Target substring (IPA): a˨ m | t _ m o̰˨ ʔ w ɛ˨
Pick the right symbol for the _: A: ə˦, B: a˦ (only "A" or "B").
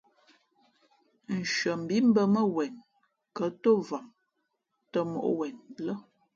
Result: A